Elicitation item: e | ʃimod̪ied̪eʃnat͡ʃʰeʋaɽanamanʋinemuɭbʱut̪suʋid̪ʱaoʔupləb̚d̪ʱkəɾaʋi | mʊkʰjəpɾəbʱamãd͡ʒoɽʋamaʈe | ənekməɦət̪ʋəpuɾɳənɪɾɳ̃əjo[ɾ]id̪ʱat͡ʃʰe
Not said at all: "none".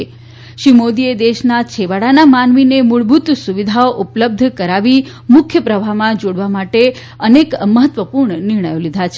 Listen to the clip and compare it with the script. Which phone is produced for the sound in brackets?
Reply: l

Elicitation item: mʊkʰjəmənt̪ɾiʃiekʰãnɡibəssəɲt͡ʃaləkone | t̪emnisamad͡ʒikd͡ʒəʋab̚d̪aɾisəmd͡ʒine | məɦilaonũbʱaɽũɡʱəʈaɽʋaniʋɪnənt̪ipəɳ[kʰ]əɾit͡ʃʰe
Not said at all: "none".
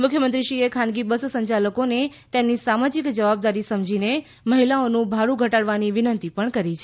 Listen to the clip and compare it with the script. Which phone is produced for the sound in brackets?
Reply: k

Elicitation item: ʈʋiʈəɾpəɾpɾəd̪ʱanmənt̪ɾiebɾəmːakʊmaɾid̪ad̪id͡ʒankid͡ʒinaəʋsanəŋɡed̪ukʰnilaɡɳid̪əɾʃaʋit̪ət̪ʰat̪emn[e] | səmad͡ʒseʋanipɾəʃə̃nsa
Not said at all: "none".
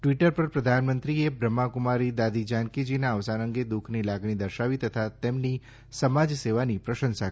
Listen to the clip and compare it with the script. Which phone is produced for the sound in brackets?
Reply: i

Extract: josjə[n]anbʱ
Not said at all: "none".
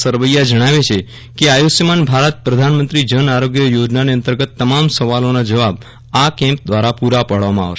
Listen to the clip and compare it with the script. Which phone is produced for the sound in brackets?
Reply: m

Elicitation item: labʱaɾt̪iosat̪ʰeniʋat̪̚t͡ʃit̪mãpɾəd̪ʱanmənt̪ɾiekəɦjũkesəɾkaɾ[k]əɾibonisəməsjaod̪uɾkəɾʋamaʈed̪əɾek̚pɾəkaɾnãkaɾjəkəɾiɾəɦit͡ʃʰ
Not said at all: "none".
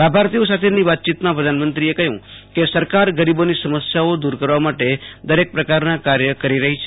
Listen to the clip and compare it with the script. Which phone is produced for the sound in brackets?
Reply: ɡ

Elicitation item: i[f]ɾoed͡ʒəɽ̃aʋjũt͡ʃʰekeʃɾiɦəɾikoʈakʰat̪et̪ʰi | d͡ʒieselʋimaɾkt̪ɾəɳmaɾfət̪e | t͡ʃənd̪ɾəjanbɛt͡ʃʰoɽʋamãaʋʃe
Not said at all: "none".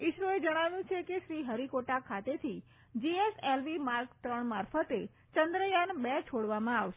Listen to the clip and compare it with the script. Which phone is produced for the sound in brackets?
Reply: ʃ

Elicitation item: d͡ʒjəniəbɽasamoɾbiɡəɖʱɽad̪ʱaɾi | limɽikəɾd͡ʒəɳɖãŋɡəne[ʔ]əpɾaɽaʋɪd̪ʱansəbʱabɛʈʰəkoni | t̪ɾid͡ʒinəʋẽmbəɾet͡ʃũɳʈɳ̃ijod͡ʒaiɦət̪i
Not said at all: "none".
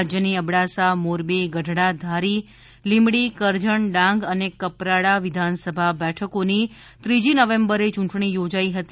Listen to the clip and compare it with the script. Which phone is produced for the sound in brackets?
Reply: k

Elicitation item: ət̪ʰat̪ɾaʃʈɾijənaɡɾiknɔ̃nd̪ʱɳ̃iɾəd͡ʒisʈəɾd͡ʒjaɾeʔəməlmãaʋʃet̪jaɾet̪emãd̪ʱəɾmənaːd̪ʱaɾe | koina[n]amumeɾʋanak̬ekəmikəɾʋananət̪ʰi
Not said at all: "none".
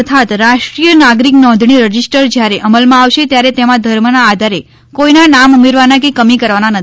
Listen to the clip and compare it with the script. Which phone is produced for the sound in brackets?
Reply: n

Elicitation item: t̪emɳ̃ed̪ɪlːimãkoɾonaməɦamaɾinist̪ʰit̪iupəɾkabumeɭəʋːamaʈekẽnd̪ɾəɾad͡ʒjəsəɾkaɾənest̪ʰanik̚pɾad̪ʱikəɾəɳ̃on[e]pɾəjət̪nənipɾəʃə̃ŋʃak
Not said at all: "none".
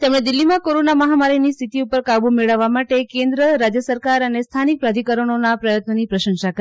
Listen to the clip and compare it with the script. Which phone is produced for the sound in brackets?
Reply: a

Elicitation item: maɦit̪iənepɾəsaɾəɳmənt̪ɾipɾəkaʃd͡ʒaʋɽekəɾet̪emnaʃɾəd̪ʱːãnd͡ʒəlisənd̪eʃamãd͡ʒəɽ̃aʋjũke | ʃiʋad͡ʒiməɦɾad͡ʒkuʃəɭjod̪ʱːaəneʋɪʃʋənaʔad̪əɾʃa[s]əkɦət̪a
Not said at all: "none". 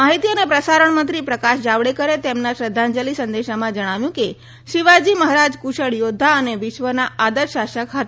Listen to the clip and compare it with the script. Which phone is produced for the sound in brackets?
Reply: ʃ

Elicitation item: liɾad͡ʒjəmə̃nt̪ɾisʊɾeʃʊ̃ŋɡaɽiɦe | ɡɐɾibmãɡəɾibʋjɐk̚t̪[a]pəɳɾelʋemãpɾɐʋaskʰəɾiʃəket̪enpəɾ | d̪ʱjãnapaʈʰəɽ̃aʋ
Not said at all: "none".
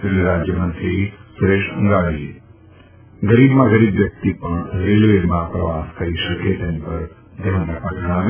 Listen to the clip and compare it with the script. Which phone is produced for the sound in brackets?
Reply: i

